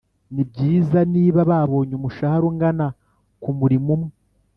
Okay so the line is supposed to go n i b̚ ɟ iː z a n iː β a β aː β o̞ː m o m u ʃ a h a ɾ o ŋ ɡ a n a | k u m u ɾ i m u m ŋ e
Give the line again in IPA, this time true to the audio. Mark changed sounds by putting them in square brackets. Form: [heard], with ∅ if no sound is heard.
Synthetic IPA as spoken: n i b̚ ɟ iː z a n iː β a β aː β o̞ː [ɲ] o m u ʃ a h a ɾ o ŋ ɡ a n a | k u m u ɾ i m u m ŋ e